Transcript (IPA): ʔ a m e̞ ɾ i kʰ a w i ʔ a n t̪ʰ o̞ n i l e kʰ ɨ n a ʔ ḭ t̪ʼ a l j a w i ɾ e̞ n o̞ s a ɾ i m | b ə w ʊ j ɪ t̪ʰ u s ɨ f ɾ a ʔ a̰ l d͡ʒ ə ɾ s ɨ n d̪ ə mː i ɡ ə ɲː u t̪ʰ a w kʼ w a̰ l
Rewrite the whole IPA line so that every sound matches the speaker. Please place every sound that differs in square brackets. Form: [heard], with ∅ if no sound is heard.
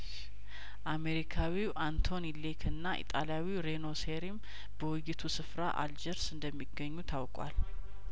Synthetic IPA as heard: ʔ a m e̞ ɾ i kʰ a w i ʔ a n t̪ʰ o̞ n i l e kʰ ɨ [nː] a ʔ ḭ t̪ʼ a l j a w i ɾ e̞ n o̞ s [e] ɾ i m | b ə w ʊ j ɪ t̪ʰ u s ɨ f ɾ a ʔ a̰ l d͡ʒ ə ɾ s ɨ n d̪ ə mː i ɡ ə ɲː u t̪ʰ a w kʼ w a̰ l